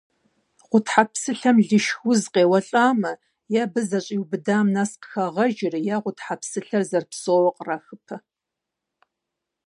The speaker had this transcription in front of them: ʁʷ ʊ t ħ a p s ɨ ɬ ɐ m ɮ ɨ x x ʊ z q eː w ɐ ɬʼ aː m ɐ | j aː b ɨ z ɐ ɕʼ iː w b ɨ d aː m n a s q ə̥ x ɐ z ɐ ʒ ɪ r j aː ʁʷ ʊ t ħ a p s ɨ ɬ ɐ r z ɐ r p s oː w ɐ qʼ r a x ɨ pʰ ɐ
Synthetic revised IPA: ʁʷ ʊ t ħ a p s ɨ ɬ ɐ m ɮ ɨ ʃ x ʊ z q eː w ɐ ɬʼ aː m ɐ | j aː b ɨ z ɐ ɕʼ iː w b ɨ d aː m n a s q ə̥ x ɐ ʁ ɐ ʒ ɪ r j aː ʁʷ ʊ t ħ a p s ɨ ɬ ɐ r z ɐ r p s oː w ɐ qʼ r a x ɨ pʰ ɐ